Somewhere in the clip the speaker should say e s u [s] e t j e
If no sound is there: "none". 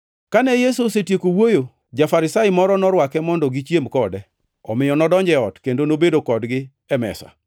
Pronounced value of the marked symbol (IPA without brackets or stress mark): s